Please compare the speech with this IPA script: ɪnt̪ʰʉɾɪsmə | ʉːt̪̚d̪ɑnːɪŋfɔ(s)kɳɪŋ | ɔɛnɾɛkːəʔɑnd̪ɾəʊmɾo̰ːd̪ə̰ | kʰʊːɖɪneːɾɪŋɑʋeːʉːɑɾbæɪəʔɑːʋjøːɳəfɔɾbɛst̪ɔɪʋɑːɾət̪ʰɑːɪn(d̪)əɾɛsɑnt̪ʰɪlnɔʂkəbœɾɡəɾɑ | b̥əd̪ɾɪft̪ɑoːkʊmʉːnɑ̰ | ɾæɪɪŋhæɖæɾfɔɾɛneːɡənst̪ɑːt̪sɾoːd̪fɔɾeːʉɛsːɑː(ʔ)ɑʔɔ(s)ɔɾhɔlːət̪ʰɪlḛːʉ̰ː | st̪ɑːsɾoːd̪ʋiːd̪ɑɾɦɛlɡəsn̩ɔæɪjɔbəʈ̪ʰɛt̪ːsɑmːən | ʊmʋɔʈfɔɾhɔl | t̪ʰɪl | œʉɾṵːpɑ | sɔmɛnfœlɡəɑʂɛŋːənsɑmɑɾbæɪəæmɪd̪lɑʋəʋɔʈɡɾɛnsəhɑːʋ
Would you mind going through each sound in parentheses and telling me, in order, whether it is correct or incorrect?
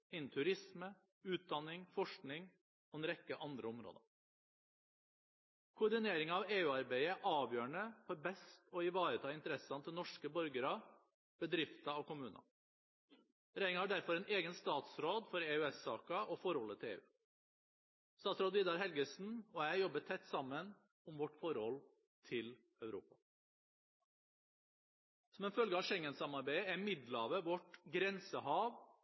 incorrect, incorrect, incorrect, incorrect

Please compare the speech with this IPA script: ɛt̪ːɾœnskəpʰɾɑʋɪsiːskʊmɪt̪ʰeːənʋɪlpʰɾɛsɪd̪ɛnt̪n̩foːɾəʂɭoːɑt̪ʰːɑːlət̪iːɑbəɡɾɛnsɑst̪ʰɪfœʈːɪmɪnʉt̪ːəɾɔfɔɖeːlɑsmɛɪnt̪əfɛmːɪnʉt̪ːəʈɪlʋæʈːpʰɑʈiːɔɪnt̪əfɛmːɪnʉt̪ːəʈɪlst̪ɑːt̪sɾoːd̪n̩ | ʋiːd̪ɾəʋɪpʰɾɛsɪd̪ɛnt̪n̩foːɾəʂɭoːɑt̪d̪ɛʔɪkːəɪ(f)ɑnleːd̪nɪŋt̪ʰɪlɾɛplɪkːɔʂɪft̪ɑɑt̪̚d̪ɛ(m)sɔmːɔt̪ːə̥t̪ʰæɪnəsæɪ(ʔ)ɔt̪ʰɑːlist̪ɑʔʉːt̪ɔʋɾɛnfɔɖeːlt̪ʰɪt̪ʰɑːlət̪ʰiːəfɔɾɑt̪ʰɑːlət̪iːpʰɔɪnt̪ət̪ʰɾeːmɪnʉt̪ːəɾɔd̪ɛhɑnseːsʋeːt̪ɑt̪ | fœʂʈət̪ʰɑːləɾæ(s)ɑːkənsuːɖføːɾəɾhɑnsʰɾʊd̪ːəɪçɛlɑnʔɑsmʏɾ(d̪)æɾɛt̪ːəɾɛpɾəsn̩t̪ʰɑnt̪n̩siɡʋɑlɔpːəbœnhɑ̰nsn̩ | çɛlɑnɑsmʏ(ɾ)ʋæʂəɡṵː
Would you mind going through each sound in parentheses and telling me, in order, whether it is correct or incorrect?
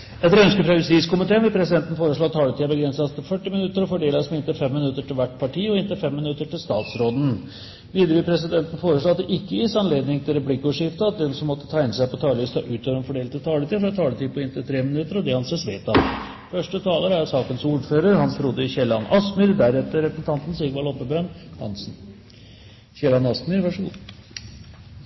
incorrect, incorrect, incorrect, correct, correct, correct

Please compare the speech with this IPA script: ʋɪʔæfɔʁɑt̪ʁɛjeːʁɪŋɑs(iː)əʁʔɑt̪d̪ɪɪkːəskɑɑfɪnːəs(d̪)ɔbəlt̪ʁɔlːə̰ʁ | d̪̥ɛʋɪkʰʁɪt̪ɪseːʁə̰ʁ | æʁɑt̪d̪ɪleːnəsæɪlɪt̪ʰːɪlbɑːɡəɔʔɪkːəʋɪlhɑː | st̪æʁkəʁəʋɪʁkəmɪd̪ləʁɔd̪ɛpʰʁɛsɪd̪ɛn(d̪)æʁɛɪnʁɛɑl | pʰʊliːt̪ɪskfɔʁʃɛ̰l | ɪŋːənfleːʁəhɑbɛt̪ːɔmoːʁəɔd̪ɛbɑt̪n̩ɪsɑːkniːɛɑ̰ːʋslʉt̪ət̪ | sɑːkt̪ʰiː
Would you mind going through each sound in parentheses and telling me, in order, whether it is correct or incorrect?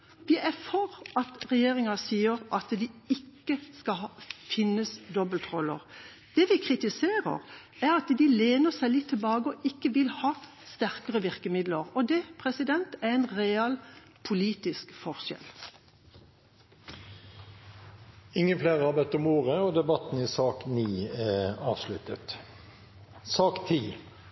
correct, correct, incorrect

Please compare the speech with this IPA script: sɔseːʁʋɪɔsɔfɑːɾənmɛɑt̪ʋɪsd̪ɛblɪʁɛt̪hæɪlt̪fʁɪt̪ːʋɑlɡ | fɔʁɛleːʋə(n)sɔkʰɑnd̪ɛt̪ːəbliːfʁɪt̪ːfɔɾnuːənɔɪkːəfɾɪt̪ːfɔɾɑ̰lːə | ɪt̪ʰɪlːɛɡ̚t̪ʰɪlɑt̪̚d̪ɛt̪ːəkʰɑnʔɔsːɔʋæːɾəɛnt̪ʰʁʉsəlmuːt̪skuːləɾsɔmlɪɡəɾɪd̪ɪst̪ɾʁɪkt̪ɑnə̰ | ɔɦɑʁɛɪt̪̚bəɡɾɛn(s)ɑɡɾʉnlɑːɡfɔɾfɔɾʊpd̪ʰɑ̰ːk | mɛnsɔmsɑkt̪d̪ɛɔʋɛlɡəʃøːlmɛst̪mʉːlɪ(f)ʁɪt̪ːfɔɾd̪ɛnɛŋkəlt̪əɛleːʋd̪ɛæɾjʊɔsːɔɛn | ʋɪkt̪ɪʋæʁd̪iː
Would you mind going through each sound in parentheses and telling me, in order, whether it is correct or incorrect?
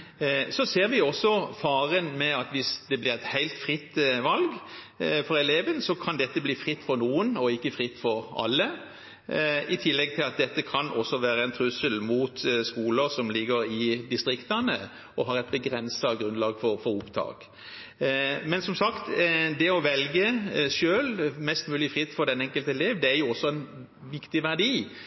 correct, correct, correct

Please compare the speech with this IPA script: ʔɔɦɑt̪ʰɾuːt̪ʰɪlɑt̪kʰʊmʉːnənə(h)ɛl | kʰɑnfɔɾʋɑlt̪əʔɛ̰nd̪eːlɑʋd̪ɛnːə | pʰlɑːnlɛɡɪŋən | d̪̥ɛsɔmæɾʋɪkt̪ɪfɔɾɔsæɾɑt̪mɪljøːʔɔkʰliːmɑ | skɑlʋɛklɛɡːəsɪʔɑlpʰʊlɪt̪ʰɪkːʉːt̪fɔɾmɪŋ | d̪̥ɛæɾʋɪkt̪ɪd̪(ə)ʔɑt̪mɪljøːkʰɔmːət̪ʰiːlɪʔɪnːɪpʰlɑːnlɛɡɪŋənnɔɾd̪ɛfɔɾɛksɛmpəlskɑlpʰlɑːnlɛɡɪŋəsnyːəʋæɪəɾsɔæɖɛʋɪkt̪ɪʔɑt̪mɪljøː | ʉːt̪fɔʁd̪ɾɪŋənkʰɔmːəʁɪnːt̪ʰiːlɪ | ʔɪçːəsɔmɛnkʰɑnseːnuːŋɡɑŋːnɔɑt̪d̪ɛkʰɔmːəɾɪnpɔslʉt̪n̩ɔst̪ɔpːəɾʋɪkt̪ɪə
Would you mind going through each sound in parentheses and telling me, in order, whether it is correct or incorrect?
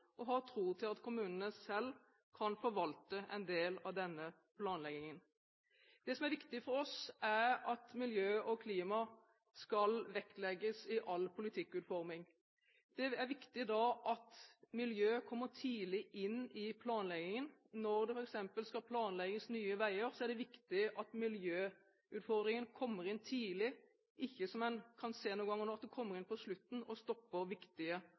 incorrect, incorrect

